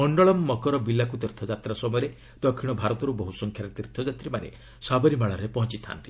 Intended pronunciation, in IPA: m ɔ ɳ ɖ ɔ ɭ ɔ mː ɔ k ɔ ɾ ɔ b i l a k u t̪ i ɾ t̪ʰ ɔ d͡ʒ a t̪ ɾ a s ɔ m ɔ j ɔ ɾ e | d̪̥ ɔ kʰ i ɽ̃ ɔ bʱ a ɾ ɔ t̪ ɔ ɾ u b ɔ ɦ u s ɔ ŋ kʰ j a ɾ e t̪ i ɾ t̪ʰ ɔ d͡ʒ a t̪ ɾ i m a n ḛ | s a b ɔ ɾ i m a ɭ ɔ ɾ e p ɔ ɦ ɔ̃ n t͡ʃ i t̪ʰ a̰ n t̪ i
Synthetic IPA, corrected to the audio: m ɔ ɳ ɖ ɔ ɭ ɔ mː ɔ k ɔ ɾ ɔ b i l a k u t̪ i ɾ t̪ʰ ɔ d͡ʒ a t̪ ɾ a s ɔ m ɔ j ɔ ɾ e | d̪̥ ɔ kʰ i ɽ̃ ɔ bʱ a ɾ ɔ t̪ ɔ ɾ u b ɔ ɦ u s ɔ ŋ kʰ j a ɾ e t̪ i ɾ t̪ʰ ɔ d͡ʒ a t̪ ɾ i m a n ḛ | s a b ɔ ɾ i m a ɭ ɔ ɾ e p ɔ ɦ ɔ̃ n t͡ʃ i t̪ʰ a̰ n t̪ i